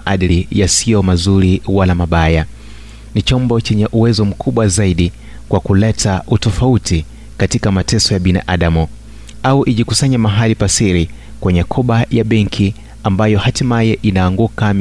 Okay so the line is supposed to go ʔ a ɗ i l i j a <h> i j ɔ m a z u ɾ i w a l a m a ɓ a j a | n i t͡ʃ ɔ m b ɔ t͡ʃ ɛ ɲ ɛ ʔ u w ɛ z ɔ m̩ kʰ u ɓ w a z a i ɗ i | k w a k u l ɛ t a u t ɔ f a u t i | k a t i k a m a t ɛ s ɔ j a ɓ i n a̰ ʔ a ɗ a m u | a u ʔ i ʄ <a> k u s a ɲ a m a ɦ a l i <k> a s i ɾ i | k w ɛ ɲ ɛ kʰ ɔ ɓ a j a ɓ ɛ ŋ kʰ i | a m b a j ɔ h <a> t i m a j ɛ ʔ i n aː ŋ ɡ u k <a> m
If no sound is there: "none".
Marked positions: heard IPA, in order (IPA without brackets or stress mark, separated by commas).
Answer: s, i, p, a, a